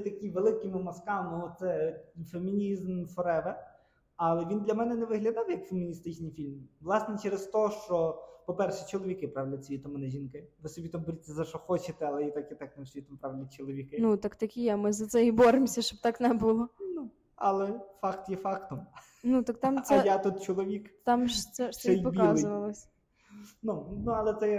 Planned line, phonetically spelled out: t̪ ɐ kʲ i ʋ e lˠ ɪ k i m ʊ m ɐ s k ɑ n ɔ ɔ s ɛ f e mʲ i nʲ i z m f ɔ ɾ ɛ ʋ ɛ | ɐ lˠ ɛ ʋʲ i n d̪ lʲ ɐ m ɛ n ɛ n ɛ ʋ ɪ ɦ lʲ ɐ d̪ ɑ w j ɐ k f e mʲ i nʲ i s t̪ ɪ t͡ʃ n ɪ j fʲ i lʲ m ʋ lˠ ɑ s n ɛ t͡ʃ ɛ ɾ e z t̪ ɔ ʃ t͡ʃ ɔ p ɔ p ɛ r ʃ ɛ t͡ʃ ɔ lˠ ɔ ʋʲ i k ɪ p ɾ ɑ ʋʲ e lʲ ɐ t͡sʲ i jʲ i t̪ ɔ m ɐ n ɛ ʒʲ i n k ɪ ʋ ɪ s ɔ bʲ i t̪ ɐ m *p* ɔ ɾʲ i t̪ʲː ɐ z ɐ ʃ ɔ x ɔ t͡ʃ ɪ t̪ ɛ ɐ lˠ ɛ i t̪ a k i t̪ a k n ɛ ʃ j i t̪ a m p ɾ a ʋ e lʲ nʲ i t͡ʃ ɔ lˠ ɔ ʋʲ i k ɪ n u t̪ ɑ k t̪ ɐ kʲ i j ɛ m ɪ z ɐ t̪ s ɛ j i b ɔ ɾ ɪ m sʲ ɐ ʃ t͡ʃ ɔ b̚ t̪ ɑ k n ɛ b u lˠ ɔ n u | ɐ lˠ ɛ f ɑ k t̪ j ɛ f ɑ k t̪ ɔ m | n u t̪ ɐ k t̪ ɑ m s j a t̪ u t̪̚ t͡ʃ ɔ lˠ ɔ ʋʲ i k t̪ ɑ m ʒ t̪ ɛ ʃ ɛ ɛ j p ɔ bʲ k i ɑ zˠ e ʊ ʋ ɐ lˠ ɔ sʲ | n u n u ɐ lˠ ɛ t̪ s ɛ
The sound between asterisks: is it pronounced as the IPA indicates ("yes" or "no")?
no